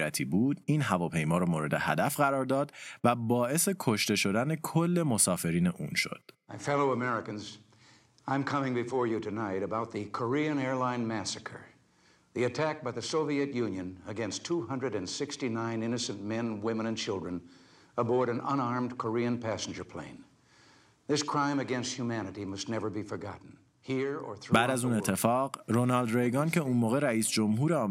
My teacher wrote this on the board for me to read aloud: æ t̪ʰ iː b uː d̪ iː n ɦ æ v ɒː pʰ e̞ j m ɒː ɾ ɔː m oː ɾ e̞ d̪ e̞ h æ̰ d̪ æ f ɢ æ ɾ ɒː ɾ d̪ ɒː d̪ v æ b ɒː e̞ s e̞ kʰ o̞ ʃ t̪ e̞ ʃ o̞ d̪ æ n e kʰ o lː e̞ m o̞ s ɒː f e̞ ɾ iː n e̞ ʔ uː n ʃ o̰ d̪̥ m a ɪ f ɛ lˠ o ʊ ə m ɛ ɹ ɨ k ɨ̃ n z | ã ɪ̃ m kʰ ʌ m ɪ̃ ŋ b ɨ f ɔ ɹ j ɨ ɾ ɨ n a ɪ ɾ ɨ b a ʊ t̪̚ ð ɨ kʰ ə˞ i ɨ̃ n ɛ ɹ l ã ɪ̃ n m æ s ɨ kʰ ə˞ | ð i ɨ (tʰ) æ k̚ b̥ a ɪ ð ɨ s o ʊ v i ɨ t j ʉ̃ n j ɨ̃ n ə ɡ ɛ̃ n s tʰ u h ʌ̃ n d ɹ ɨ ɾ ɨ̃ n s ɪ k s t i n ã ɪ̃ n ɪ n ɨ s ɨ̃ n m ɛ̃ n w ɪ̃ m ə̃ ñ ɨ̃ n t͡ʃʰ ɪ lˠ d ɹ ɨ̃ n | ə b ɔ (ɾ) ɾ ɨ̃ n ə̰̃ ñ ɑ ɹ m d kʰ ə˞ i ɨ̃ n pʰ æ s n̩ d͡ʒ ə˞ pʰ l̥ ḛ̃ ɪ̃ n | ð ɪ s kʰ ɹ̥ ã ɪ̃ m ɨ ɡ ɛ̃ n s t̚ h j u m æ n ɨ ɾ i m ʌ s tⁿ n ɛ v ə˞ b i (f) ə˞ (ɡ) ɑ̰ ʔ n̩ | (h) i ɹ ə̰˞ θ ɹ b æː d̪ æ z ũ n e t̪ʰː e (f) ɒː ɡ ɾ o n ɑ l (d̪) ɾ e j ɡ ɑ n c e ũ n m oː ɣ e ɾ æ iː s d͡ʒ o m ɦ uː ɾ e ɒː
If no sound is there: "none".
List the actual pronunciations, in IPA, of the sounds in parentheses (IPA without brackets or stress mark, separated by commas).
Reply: tʰ, ɹ, f, ɡ, h, f, d̪